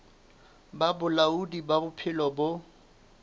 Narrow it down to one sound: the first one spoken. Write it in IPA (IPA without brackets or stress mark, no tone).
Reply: b